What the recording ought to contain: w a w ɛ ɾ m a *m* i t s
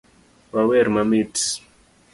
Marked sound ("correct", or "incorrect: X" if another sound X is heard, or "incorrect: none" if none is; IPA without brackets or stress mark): correct